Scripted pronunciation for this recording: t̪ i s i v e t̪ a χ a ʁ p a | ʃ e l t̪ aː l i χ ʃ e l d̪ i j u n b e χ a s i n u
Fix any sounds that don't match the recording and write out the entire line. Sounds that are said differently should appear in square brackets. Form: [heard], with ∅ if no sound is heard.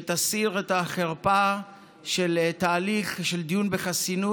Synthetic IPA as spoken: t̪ [a] s i [ʁ] e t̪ a χ [e] ʁ p a | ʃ e l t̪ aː l i χ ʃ e l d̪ i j u n b e χ a s i n u